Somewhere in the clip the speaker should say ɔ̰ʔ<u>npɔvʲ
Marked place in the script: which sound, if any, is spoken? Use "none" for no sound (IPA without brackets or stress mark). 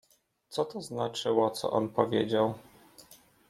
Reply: ɔ